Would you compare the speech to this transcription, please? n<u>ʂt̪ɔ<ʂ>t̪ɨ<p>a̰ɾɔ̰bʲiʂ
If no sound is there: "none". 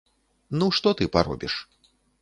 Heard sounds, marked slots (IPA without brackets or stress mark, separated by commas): u, none, p